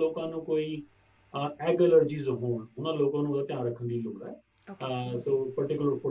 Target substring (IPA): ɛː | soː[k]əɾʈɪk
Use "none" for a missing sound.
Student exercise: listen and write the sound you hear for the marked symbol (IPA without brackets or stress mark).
p